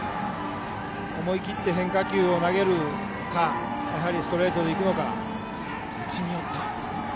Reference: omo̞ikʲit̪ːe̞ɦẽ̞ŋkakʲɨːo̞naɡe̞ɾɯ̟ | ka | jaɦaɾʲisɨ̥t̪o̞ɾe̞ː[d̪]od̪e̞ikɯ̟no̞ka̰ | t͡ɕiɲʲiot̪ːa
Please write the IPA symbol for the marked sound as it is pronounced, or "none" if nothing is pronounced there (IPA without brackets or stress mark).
t̪